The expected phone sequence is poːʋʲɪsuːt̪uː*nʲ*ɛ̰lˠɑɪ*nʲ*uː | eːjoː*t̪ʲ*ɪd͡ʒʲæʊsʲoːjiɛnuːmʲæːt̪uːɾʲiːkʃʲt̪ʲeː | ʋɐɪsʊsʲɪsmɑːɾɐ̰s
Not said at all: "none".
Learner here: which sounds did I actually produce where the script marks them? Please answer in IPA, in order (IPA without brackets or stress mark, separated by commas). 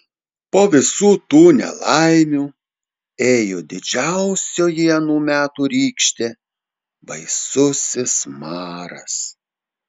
nʲ, mʲ, d̪ʲ